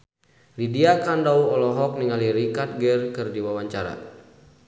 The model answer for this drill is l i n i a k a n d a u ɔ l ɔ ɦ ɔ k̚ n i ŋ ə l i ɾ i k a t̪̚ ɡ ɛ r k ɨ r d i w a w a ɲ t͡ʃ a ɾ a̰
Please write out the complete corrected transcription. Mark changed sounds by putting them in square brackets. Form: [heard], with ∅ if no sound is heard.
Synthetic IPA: l i [d] i a k a n d a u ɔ l ɔ ɦ ɔ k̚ n i ŋ [a] l i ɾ i k a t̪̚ ɡ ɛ r k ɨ r d i w a w a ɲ t͡ʃ a ɾ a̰